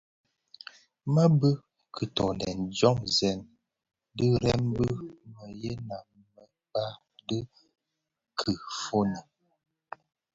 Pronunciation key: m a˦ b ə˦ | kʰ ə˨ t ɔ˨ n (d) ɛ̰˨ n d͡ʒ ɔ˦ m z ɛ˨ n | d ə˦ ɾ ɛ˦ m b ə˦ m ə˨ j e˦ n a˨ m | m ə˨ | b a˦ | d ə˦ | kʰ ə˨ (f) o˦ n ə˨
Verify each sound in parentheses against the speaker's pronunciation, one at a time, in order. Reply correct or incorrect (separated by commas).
correct, correct